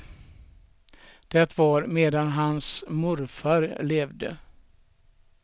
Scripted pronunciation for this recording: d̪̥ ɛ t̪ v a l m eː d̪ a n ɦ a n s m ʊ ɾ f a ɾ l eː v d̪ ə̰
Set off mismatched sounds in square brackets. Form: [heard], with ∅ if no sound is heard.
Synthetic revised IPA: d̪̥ ɛ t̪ v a [ɾ] m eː d̪ a n ɦ a n s m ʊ ɾ f a ɾ l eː v d̪ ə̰